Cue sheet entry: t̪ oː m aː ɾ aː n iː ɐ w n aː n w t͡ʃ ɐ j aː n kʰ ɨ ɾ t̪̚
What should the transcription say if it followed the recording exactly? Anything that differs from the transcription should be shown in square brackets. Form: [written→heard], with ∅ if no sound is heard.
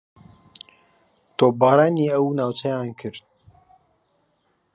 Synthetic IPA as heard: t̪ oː [m→b] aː ɾ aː n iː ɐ w n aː [n→∅] w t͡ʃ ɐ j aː n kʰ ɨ ɾ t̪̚